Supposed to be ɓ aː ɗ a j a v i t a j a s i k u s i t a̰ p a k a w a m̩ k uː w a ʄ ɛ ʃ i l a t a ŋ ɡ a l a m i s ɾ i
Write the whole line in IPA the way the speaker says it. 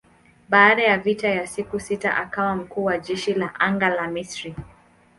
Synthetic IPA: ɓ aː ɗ a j a v i t a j a s i k u s i t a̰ ʔ a k a w a m̩ k uː w a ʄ ɛ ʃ i l a ʔ a ŋ ɡ a l a m i s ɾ i